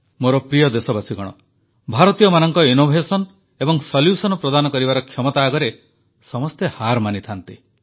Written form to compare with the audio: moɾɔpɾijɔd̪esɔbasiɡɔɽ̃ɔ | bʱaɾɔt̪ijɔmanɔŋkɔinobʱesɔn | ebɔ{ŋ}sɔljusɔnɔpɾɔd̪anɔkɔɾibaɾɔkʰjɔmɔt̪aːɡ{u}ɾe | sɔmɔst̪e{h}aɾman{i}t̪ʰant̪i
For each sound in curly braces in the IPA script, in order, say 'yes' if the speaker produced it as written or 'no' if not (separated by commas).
yes, no, yes, yes